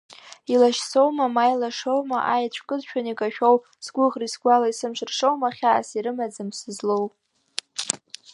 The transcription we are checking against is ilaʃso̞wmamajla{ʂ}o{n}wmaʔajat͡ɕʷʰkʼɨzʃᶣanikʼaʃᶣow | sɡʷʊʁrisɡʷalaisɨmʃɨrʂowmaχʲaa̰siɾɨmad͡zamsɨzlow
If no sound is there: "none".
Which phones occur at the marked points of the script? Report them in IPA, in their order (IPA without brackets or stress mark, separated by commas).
ʂ, none